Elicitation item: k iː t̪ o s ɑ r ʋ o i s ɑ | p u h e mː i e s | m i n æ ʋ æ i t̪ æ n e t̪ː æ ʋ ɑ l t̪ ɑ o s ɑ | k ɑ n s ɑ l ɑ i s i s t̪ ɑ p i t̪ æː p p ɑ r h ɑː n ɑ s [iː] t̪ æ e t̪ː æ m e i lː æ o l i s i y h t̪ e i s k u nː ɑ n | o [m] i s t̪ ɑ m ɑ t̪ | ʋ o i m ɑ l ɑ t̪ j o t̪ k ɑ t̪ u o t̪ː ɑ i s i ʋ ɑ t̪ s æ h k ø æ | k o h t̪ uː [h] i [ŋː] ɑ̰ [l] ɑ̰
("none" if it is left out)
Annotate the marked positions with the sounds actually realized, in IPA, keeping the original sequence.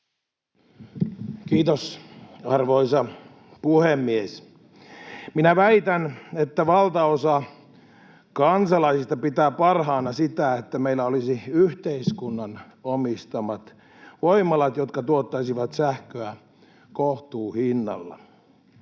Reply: i, m, h, nː, lː

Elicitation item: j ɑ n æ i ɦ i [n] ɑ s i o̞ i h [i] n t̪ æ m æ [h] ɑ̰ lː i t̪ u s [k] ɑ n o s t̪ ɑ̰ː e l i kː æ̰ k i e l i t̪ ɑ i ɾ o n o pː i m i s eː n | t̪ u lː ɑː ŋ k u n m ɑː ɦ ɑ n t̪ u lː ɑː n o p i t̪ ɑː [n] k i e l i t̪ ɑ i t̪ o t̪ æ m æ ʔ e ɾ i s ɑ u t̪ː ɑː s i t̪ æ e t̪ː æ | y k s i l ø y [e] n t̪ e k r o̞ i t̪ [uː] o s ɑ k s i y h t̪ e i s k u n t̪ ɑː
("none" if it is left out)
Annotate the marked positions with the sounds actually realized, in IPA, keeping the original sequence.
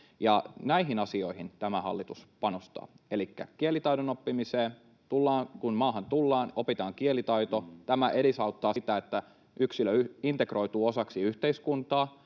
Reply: n, i, h, p, ŋ, i, uː

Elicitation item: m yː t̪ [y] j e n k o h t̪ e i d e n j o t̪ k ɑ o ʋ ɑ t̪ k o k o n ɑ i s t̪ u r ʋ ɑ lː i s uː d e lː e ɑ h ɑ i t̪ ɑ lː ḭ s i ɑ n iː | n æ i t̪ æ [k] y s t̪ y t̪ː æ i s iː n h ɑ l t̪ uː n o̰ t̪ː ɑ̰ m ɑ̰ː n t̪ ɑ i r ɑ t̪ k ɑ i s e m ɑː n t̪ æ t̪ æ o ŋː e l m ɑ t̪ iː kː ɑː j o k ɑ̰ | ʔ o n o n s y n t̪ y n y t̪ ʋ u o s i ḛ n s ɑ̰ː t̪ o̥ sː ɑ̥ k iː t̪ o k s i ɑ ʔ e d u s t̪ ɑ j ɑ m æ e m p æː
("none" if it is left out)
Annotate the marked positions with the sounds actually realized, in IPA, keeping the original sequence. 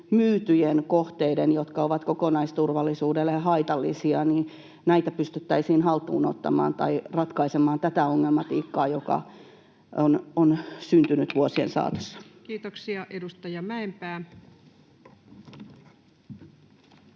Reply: y, p

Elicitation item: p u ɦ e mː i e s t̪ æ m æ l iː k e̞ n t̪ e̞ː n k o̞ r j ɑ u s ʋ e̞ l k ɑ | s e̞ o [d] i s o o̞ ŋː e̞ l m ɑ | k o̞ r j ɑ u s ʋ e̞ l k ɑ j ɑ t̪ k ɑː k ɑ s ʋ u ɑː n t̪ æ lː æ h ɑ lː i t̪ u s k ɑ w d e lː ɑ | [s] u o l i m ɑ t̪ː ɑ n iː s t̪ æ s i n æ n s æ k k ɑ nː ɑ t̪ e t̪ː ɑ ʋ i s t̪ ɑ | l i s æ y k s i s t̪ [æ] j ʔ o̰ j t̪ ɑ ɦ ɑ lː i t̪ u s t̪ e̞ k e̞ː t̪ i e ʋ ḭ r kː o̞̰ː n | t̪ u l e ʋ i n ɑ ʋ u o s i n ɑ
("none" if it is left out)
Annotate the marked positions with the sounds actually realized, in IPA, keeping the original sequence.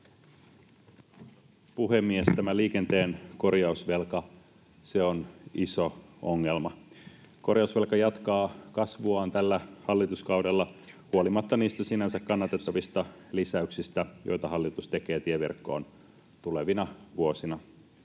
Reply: n, h, æ

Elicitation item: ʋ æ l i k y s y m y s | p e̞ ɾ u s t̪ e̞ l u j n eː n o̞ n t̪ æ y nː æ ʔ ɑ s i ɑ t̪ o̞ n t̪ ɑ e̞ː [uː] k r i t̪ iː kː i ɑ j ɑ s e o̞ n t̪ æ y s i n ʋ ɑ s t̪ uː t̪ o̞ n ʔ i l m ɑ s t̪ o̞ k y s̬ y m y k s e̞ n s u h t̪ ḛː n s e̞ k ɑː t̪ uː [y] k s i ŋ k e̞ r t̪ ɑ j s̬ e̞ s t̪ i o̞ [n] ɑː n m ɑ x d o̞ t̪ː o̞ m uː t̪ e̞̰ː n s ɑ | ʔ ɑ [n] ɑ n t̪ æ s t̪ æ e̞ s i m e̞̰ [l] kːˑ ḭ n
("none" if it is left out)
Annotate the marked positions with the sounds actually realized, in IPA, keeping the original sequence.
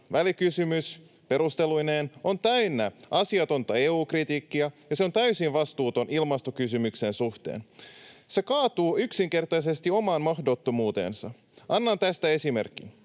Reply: uː, y, m, nː, r

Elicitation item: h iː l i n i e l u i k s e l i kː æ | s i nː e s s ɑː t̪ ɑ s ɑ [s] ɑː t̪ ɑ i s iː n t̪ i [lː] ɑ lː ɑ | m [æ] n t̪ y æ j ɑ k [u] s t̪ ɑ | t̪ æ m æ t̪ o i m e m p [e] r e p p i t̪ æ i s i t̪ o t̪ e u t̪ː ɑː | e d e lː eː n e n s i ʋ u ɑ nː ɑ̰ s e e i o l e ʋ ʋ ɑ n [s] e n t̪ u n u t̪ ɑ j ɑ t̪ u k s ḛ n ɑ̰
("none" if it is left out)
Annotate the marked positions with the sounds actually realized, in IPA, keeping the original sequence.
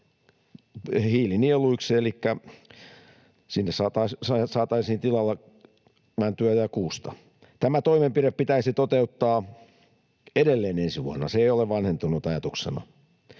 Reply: s, l, æ, uː, i, h

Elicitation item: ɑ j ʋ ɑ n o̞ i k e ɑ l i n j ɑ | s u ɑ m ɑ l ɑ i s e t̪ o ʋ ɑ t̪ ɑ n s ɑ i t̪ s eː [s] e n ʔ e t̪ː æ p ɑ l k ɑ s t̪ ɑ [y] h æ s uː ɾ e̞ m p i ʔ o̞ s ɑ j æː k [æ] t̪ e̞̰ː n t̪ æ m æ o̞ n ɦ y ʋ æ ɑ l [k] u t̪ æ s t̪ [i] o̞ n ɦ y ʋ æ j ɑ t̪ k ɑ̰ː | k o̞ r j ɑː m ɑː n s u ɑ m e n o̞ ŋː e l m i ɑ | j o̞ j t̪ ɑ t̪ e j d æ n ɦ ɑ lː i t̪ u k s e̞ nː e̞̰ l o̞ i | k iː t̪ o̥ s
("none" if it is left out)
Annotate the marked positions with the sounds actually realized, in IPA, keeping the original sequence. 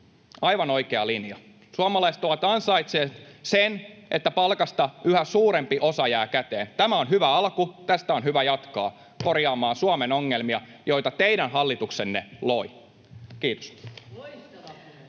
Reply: s, y, æ, k, æ

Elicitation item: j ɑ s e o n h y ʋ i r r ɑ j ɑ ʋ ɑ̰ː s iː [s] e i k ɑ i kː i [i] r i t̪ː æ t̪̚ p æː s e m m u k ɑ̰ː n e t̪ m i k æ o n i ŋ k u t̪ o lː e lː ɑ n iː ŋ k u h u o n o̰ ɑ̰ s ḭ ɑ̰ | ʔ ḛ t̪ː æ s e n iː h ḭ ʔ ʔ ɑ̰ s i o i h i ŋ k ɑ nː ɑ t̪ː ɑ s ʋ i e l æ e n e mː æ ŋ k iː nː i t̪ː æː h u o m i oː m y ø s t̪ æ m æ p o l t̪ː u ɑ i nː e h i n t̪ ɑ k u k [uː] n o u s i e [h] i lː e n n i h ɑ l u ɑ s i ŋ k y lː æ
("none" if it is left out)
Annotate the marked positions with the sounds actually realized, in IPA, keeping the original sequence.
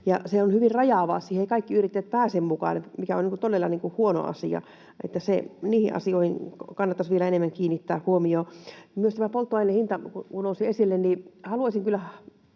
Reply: h, y, u, s

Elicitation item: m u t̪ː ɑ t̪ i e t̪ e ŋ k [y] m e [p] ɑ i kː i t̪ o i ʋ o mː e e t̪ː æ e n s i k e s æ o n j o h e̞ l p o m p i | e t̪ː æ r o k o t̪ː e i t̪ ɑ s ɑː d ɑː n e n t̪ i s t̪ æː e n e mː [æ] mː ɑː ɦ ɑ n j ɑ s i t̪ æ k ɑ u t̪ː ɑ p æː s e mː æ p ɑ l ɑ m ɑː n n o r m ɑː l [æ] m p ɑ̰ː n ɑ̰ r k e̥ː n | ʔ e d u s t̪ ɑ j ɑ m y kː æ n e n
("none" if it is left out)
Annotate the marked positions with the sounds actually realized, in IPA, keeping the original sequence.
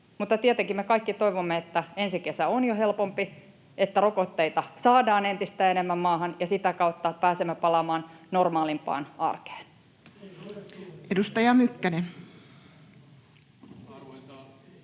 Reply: i, k, æ, i

